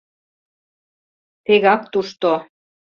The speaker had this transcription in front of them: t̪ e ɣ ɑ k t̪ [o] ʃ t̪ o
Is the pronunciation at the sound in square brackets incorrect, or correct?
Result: incorrect